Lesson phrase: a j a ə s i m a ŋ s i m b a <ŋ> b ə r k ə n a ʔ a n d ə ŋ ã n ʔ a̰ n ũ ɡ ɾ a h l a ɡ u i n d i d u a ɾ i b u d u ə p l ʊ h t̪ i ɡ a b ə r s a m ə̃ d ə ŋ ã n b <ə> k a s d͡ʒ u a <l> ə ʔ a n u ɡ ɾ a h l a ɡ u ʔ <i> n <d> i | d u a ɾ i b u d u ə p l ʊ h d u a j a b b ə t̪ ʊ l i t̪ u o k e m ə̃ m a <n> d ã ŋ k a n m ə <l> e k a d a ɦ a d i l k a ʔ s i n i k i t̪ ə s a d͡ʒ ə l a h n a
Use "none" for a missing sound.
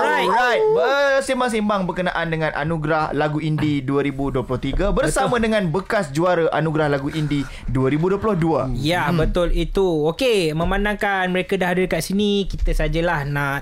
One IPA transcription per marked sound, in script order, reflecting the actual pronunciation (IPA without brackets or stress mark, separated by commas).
ŋ, ə, ɾ, i, d, n, ɾ